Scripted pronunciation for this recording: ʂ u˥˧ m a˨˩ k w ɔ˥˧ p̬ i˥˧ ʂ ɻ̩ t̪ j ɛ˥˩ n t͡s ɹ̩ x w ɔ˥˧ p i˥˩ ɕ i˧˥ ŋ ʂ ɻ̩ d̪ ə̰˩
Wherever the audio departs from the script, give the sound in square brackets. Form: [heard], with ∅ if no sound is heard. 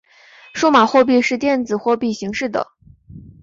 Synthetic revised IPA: ʂ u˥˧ m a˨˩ [x] w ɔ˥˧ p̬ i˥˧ ʂ ɻ̩ t̪ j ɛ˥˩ n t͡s ɹ̩ x w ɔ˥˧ p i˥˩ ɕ i˧˥ ŋ ʂ ɻ̩ d̪ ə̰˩